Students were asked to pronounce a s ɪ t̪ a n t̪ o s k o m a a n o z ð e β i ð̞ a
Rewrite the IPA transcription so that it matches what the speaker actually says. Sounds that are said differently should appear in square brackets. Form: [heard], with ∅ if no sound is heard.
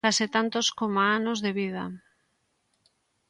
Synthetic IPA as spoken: a s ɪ t̪ a n t̪ o s k o m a a n o z ð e β i ð̞ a